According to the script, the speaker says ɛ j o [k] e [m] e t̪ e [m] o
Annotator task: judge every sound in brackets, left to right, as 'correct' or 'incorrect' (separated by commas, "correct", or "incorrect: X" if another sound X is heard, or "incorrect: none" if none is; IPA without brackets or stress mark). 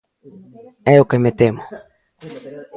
correct, correct, correct